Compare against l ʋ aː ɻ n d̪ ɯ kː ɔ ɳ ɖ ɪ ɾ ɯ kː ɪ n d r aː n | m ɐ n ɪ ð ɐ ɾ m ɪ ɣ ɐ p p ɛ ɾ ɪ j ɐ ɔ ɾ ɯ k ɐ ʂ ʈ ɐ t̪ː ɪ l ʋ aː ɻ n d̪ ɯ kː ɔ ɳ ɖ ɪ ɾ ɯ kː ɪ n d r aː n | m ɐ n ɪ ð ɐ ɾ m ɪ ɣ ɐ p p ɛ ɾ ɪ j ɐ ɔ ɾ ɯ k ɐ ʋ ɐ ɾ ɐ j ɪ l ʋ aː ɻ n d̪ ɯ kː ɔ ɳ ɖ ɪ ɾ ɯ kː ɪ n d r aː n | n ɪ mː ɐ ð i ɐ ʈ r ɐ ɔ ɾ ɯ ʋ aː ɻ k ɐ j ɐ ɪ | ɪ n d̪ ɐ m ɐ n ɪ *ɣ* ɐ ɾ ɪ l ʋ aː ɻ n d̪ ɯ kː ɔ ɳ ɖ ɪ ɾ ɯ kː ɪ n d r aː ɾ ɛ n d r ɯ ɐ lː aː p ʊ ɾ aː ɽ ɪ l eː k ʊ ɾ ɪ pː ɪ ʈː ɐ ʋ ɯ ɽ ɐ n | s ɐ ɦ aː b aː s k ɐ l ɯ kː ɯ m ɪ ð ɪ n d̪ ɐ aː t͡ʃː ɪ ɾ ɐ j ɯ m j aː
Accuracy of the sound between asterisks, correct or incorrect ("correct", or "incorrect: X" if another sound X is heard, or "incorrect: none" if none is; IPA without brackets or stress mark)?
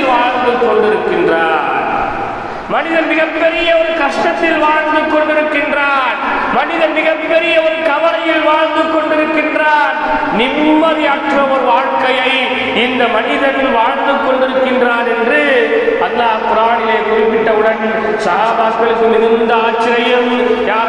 incorrect: ð